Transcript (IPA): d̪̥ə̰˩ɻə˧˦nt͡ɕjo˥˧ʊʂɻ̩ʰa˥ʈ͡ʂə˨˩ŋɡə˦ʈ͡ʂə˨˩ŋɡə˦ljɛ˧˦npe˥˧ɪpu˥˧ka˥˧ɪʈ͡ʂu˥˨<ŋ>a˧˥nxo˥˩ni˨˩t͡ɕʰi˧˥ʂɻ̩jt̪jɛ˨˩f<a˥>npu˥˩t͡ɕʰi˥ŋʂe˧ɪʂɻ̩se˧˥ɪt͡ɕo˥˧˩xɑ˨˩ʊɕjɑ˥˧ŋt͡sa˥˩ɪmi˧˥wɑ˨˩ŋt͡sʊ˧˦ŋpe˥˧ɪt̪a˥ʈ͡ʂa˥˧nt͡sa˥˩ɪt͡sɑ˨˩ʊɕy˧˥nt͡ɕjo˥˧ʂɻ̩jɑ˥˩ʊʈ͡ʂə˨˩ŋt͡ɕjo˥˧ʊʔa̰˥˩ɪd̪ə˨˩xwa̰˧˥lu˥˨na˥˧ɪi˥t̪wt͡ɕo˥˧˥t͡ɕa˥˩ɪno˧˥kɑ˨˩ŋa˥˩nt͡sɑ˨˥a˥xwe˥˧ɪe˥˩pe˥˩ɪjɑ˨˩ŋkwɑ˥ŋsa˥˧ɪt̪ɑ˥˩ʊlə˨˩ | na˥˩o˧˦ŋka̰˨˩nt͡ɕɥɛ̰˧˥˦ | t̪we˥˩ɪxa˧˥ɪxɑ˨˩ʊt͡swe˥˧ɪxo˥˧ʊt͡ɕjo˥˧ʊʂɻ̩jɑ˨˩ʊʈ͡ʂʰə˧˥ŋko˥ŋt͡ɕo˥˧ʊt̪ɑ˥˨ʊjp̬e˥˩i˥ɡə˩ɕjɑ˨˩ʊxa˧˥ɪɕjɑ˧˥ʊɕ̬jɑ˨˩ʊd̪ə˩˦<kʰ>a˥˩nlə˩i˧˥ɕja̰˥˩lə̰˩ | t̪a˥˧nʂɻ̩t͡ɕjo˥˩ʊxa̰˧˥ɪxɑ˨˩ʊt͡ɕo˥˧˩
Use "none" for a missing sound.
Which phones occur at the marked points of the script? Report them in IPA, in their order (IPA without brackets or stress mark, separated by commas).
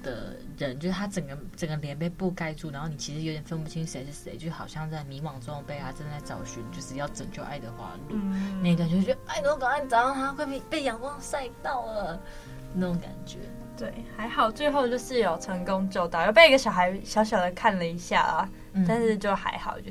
n, ə˥, kʰ